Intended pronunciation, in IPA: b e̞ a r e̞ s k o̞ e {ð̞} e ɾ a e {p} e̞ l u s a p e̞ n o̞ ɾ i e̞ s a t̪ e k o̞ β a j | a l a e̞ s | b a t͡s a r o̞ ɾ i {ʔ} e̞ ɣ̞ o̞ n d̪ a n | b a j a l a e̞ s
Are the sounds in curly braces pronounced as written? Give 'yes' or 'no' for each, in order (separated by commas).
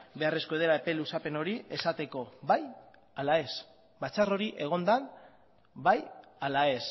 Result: yes, yes, yes